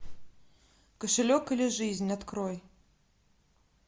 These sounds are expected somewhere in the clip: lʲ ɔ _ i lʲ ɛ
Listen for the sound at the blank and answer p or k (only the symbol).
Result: k